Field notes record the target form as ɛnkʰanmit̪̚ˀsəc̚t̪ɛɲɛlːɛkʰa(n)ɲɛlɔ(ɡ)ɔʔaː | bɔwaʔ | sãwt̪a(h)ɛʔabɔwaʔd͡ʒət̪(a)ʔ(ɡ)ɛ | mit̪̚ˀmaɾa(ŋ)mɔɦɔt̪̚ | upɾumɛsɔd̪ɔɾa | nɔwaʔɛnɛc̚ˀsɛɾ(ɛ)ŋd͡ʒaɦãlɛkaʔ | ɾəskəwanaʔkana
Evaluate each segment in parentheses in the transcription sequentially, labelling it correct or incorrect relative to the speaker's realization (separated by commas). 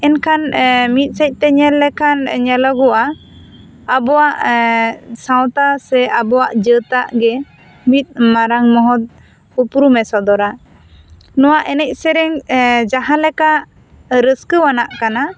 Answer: correct, correct, incorrect, correct, correct, correct, correct